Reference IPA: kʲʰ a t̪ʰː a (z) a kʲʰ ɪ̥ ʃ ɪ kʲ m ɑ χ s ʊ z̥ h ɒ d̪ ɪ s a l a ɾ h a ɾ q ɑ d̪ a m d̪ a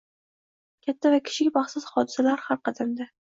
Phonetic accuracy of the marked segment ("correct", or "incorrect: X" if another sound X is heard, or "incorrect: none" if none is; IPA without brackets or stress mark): incorrect: v